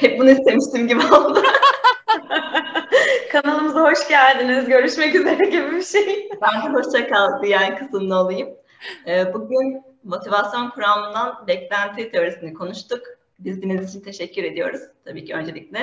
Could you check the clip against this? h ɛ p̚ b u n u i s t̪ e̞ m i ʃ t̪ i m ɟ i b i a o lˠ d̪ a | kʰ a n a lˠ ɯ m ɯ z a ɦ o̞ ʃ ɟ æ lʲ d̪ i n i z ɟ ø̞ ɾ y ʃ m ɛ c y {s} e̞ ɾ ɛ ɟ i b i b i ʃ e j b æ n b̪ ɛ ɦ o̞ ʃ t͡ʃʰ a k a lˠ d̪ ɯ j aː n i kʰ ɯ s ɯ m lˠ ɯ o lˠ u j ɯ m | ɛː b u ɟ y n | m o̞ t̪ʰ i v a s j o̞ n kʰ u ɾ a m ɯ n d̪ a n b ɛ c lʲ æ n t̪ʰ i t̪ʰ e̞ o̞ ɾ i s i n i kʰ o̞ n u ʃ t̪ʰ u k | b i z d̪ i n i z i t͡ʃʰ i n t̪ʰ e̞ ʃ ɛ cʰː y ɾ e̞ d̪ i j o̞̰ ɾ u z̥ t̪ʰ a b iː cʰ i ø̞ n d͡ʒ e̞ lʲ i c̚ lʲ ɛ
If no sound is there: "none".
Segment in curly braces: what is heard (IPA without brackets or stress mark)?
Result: z